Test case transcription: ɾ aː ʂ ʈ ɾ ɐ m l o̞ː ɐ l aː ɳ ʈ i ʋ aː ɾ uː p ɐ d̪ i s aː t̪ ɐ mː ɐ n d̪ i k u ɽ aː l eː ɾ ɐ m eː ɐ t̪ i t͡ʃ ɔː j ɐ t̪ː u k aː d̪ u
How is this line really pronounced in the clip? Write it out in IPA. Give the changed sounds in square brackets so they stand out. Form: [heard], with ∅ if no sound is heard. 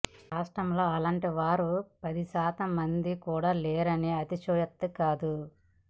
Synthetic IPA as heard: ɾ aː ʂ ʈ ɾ ɐ m l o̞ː ɐ l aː ɳ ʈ i ʋ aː ɾ [u] p ɐ d̪ i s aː t̪ ɐ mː ɐ n d̪ i k [uː] ɽ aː l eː ɾ ɐ [n] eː ɐ t̪ i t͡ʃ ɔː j ɐ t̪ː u k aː d̪ u